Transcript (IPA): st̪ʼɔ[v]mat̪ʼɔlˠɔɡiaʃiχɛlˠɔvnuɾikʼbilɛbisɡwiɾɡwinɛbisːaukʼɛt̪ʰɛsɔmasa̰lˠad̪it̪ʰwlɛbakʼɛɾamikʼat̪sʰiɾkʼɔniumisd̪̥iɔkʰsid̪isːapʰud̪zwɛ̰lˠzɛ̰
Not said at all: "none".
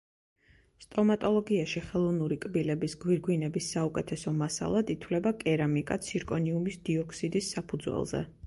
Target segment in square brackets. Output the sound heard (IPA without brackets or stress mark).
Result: none